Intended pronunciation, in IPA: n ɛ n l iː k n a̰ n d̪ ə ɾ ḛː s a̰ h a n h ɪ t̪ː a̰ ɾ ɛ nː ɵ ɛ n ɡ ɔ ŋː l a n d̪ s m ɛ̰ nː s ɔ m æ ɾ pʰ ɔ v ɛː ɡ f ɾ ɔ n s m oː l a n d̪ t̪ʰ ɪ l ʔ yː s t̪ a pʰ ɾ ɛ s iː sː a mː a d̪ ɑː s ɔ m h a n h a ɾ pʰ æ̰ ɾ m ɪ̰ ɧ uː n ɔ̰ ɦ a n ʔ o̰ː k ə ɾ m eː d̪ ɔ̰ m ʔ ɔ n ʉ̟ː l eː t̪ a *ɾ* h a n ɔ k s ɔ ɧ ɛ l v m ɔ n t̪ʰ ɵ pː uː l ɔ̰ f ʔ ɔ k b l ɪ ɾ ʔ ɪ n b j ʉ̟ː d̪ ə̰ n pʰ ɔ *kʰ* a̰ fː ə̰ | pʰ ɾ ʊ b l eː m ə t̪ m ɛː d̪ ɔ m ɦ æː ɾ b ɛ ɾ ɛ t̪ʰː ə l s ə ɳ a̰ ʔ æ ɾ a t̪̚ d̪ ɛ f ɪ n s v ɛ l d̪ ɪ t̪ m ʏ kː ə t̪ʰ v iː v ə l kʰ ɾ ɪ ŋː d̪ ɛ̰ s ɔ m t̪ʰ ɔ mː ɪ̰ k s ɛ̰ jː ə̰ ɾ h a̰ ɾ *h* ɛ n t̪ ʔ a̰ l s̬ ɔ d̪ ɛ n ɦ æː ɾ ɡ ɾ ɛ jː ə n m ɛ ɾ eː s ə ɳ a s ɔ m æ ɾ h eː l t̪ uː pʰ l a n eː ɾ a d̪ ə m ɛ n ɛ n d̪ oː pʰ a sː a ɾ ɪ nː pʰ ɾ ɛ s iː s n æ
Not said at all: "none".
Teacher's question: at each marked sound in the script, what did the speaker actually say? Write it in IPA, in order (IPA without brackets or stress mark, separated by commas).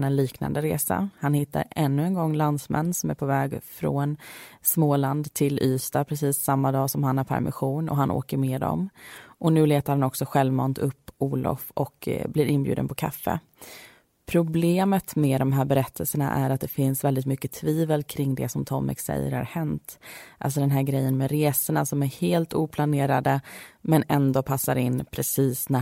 ɾ, kʰ, h